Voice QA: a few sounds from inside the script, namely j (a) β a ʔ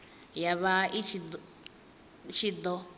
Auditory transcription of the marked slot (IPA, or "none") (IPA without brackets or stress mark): a